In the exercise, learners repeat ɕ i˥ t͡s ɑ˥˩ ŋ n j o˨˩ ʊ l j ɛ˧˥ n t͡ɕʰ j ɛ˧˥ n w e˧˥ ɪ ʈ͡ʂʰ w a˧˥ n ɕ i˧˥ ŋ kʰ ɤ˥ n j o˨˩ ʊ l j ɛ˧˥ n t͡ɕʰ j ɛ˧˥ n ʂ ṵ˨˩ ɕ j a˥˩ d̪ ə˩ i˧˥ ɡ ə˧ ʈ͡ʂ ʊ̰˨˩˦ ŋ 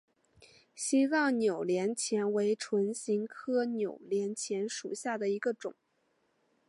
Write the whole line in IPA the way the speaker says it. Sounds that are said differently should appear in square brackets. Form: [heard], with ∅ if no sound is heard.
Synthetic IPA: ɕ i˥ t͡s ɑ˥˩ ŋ n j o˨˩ ʊ l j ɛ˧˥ n t͡ɕʰ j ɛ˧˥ n w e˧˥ ɪ ʈ͡ʂʰ w [ə˧˥] n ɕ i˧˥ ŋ kʰ ɤ˥ n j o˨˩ ʊ l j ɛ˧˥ n t͡ɕʰ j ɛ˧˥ n ʂ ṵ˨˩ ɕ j a˥˩ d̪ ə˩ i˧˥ ɡ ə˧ ʈ͡ʂ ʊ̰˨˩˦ ŋ